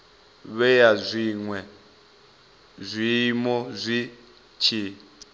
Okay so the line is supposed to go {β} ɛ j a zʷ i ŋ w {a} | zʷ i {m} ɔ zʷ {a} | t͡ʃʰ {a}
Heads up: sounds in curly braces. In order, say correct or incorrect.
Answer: correct, incorrect: ɛ, correct, incorrect: i, incorrect: i

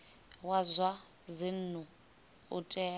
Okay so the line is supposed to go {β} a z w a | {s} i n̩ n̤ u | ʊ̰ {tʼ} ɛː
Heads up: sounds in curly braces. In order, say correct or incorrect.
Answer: incorrect: w, incorrect: z, correct

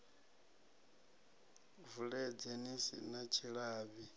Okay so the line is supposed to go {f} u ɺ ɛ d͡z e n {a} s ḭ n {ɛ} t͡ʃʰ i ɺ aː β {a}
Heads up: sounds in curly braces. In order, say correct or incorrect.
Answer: incorrect: v, incorrect: i, incorrect: a, incorrect: i

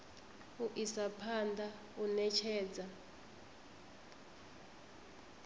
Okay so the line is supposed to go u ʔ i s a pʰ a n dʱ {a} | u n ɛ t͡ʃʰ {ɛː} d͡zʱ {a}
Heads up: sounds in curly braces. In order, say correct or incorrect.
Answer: correct, correct, correct

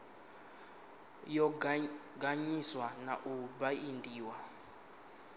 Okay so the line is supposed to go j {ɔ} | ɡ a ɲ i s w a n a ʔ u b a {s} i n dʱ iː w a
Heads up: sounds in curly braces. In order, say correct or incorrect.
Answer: correct, incorrect: none

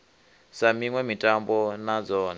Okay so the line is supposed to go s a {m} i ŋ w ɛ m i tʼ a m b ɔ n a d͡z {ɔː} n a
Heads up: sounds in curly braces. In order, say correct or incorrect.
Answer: correct, correct

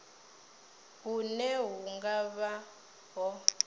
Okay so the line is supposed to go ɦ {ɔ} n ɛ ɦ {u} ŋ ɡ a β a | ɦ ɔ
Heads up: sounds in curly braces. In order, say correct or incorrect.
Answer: incorrect: u, correct

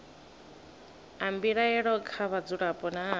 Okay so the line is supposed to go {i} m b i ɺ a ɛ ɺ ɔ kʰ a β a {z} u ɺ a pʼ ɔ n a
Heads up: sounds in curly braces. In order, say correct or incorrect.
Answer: incorrect: a, incorrect: d͡z

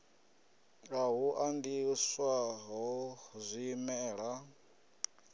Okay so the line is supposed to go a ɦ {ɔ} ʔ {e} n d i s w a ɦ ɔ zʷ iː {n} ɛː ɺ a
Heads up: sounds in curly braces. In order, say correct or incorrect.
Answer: incorrect: u, incorrect: a, incorrect: m

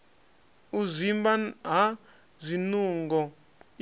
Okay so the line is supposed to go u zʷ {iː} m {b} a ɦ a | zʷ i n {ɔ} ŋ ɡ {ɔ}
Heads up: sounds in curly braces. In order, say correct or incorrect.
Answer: incorrect: i, correct, incorrect: u, correct

